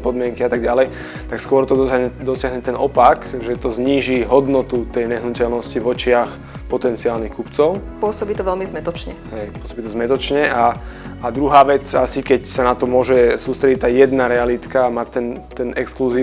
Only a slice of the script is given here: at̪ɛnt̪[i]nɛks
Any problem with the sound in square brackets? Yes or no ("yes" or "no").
yes